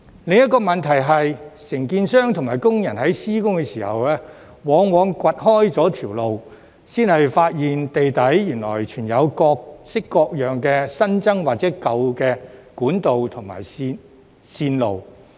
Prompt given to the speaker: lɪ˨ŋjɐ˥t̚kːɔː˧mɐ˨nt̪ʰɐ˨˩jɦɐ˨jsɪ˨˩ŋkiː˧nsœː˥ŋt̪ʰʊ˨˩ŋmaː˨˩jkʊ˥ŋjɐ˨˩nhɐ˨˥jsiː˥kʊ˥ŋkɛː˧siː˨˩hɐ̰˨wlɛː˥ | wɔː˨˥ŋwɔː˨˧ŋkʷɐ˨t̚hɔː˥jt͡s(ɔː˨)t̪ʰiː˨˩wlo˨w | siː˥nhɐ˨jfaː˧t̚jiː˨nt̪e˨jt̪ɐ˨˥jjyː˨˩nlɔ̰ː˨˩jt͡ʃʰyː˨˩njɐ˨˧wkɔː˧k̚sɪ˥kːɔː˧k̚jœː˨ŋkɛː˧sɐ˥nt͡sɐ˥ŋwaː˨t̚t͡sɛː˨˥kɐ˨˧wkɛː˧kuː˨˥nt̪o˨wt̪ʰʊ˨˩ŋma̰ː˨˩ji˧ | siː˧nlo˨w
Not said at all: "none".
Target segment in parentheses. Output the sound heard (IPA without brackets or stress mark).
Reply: ɔː˨˥